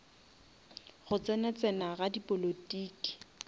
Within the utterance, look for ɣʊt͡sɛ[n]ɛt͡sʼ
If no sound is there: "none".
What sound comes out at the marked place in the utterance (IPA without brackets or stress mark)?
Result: n